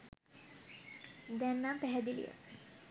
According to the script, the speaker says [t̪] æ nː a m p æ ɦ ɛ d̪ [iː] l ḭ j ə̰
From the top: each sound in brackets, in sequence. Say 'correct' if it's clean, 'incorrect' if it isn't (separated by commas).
incorrect, incorrect